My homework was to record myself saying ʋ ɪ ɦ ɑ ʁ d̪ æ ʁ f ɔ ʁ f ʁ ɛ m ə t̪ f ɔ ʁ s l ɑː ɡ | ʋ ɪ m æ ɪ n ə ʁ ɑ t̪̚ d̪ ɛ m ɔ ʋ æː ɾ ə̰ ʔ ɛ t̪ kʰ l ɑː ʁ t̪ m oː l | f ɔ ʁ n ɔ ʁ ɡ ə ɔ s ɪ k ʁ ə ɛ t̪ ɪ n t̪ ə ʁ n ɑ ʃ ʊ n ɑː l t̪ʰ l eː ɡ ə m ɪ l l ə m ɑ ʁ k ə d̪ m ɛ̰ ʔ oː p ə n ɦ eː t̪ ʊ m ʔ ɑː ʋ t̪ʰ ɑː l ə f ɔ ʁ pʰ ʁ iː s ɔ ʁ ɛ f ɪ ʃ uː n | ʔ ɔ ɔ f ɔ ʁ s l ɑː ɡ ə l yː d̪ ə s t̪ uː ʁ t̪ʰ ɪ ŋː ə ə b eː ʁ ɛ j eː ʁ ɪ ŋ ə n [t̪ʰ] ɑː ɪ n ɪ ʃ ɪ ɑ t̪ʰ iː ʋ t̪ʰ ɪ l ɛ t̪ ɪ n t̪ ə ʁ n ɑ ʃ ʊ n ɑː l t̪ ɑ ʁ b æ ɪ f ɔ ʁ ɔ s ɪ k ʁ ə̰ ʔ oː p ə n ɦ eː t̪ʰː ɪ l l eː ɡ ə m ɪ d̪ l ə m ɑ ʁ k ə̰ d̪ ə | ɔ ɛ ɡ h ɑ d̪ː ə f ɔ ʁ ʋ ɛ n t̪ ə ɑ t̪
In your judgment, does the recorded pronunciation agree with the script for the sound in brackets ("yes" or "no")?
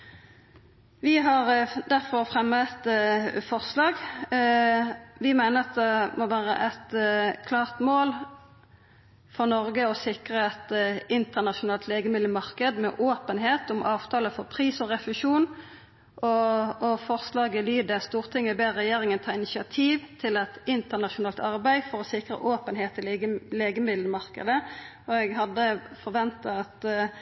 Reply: yes